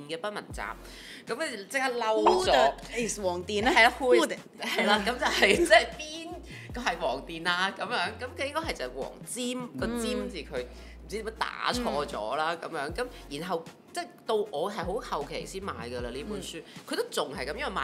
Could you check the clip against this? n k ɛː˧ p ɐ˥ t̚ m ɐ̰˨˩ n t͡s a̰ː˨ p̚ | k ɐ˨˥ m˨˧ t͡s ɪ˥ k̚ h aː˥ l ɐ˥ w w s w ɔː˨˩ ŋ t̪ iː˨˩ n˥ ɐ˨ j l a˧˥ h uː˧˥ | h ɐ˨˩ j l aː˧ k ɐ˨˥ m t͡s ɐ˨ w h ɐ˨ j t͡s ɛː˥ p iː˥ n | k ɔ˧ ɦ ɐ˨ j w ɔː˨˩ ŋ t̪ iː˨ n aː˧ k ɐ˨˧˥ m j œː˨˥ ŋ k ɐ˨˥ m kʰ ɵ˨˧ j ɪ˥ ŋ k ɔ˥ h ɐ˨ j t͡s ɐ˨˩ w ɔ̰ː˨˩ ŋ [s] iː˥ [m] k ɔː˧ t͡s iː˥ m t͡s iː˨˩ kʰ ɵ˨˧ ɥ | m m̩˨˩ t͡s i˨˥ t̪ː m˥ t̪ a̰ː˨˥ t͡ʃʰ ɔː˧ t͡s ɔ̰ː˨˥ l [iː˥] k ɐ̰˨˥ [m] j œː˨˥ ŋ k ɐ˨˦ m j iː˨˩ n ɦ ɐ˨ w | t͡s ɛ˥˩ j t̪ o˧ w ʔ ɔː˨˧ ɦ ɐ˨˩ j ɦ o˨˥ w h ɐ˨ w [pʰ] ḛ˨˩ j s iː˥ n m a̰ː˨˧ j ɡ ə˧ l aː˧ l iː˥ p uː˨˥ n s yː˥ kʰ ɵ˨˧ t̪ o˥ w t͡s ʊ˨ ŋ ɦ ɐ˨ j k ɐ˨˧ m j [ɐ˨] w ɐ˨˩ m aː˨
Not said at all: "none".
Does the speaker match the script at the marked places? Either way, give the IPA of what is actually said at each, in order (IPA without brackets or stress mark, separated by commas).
t͡s, m, aː˥, m, kʰ, ɐ˥